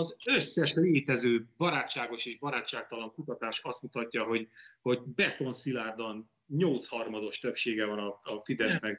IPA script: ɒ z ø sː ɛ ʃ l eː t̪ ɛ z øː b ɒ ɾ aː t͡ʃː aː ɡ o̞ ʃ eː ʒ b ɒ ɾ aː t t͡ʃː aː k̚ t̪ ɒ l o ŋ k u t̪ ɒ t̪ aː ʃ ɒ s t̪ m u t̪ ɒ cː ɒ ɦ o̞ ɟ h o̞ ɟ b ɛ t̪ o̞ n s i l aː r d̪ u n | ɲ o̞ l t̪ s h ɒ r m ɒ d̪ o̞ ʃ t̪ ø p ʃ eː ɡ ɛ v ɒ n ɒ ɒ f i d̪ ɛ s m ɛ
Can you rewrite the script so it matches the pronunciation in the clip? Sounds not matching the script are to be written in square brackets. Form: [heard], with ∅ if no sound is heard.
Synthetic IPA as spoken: ɒ z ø sː ɛ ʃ l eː t̪ ɛ z øː b ɒ ɾ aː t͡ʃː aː ɡ o̞ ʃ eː ʒ b ɒ ɾ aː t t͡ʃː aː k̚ t̪ ɒ l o ŋ k u t̪ ɒ t̪ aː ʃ ɒ s t̪ m u t̪ ɒ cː ɒ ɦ o̞ ɟ h o̞ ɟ b ɛ t̪ o̞ n s i l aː r d̪ [ɒ] n | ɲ o̞ l t̪ s h ɒ r m ɒ d̪ o̞ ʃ t̪ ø p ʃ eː ɡ ɛ v ɒ n ɒ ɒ f i d̪ ɛ s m ɛ